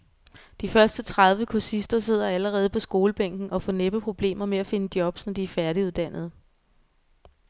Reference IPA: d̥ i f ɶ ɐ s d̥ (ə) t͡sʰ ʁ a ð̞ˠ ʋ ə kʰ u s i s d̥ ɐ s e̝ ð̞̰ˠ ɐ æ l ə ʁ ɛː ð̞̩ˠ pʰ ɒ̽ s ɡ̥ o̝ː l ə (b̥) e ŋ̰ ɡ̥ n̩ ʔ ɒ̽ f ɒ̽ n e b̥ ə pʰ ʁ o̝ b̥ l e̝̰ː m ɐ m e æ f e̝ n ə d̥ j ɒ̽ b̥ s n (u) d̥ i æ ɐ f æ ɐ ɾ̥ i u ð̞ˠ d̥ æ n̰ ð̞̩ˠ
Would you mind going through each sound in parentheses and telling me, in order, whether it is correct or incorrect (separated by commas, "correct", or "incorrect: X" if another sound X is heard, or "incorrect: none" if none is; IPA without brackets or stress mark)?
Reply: correct, correct, incorrect: ɒ